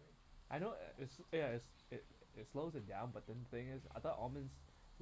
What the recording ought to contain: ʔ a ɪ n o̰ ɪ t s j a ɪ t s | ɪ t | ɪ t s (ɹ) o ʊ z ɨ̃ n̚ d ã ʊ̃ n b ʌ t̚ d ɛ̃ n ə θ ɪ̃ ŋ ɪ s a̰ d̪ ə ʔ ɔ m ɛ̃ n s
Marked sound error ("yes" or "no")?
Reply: yes